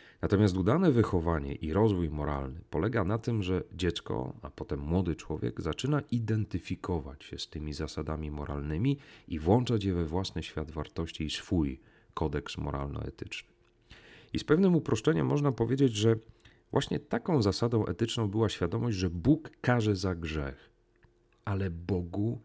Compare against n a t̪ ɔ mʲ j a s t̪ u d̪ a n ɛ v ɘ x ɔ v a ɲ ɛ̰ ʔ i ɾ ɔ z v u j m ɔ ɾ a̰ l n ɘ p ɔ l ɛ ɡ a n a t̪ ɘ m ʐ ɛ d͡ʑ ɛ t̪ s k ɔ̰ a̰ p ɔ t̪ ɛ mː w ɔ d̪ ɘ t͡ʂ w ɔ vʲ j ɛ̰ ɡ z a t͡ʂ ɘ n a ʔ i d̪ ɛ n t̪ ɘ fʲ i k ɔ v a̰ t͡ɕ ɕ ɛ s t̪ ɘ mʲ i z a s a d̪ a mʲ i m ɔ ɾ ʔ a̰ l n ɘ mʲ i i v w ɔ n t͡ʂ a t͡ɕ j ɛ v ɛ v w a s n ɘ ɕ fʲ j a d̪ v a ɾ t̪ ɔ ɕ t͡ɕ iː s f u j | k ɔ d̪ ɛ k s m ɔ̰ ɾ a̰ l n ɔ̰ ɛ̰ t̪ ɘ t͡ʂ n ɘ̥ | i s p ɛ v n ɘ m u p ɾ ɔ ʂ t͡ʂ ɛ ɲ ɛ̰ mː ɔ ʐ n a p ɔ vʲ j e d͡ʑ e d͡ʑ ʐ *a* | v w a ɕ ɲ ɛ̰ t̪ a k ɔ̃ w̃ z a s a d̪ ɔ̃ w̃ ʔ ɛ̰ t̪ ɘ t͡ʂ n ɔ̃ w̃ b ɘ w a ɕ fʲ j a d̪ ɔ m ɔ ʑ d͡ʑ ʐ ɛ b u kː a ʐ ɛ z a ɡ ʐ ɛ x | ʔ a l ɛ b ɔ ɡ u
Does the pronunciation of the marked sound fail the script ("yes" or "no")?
yes